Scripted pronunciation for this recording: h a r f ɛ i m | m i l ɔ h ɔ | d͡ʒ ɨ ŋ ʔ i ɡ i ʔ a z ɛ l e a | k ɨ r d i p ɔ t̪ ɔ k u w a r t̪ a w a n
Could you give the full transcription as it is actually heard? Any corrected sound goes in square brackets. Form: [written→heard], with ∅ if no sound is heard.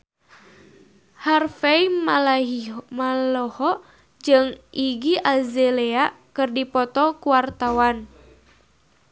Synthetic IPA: h a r f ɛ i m | m [i→a] l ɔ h ɔ | d͡ʒ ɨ ŋ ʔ i ɡ i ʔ a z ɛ l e a | k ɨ r d i p ɔ t̪ ɔ k u w a r t̪ a w a n

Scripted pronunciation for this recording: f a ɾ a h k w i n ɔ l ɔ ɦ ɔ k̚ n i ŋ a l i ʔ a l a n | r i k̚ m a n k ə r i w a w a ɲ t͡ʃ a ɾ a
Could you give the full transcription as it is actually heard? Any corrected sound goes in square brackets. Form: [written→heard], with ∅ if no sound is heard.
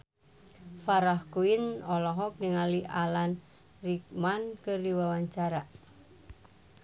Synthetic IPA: f a ɾ a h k [w→u] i n ɔ l ɔ ɦ ɔ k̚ n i ŋ a l i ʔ a l a n | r i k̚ m a n k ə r i w a w a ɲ t͡ʃ a ɾ a

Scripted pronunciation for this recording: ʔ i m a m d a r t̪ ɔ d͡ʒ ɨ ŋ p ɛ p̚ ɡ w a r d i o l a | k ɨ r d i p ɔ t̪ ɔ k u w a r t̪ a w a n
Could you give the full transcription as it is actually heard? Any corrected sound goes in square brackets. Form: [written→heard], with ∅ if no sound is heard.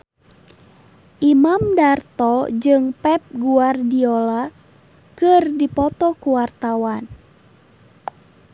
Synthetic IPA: ʔ i m a m d a r t̪ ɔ d͡ʒ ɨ ŋ p ɛ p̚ ɡ [w→u] a r d i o l a | k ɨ r d i p ɔ t̪ ɔ k u w a r t̪ a w a n

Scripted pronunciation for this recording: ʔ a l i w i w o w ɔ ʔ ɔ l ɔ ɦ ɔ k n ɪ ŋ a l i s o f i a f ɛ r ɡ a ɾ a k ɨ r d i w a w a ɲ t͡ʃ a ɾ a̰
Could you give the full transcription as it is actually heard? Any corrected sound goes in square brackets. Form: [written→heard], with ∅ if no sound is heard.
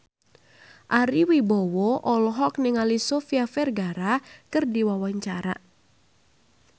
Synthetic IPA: ʔ a [l→ɾ] i w i [w→b] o w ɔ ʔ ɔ l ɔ ɦ ɔ k n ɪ ŋ a l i s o f i a f ɛ r ɡ a ɾ a k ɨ r d i w a w a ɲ t͡ʃ a ɾ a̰

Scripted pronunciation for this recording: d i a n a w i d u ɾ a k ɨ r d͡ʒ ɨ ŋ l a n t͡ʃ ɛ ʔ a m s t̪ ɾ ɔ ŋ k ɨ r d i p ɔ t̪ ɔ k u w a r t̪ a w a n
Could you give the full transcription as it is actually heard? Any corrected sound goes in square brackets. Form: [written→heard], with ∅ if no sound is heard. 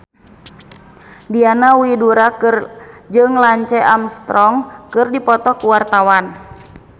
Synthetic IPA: d i a n a w i d u ɾ a k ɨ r d͡ʒ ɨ ŋ l a [n→ɲ] t͡ʃ ɛ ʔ a m s t̪ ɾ ɔ ŋ k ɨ r d i p ɔ t̪ ɔ k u w a r t̪ a w a n

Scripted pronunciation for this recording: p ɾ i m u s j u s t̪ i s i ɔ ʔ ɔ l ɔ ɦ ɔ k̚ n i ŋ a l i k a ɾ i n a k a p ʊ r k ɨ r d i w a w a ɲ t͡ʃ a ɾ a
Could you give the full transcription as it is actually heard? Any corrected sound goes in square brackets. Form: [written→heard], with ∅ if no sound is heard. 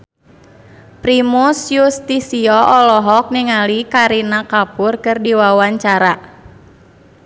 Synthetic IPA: p ɾ i m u s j u s t̪ i s i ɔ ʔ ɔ l ɔ ɦ ɔ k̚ n i ŋ a l i k a ɾ i n a k a p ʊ r k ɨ r d i w a w a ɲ t͡ʃ a ɾ a

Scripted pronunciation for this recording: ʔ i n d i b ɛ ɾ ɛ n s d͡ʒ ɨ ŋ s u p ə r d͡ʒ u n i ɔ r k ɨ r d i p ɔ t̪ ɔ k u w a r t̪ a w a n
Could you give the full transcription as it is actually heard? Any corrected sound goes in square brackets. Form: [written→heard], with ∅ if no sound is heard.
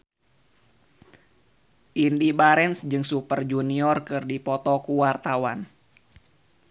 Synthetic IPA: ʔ i n d i b [ɛ→a] ɾ ɛ n s d͡ʒ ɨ ŋ s u p ə r d͡ʒ u n i ɔ r k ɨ r d i p ɔ t̪ ɔ k u w a r t̪ a w a n

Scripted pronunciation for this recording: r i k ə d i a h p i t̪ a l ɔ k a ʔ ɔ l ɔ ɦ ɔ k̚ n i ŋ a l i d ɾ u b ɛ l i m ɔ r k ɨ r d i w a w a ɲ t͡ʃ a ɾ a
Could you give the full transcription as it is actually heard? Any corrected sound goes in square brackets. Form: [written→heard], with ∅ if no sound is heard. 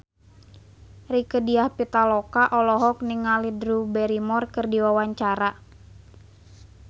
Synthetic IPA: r i k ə d i a h p i t̪ a l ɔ k a ʔ ɔ l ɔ ɦ ɔ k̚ n i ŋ a l i d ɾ u b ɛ [l→ɾ] i m ɔ r k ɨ r d i w a w a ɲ t͡ʃ a ɾ a

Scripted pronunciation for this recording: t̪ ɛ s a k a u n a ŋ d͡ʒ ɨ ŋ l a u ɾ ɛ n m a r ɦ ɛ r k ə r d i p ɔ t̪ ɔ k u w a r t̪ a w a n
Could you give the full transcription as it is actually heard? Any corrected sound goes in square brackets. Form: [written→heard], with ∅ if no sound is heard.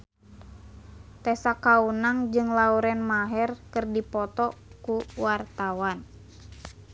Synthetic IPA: t̪ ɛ s a k a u n a ŋ d͡ʒ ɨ ŋ l a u ɾ ɛ n m a [r→∅] ɦ ɛ r k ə r d i p ɔ t̪ ɔ k u w a r t̪ a w a n

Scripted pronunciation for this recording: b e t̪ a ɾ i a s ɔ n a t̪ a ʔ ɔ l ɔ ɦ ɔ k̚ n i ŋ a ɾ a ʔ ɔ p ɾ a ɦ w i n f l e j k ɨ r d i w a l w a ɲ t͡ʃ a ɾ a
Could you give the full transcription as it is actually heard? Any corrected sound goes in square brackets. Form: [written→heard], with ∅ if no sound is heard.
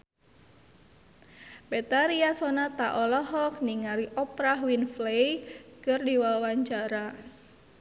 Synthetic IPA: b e t̪ a ɾ i a s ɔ n a t̪ a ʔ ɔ l ɔ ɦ ɔ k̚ n i ŋ a ɾ [a→i] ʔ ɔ p ɾ a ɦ w i n f l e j k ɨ r d i w a [l→∅] w a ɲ t͡ʃ a ɾ a

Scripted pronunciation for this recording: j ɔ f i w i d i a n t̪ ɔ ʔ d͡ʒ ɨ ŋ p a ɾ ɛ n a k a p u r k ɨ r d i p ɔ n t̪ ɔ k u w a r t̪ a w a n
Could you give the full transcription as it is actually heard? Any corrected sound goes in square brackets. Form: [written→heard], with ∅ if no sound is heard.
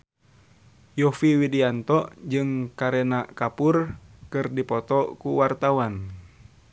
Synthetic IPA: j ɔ f i w i d i a n t̪ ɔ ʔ d͡ʒ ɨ ŋ [p→k] a ɾ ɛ n a k a p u r k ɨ r d i p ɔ [n→∅] t̪ ɔ k u w a r t̪ a w a n

